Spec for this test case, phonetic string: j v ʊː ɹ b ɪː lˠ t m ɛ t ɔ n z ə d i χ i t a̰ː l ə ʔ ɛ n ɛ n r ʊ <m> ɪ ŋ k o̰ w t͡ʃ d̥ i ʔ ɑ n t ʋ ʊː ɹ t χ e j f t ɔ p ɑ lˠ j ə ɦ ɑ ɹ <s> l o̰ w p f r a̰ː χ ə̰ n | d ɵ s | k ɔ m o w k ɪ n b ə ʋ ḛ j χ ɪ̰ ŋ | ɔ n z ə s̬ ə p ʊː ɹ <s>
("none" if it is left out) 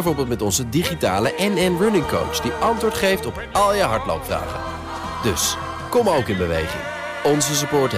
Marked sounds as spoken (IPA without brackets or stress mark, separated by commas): n, t, t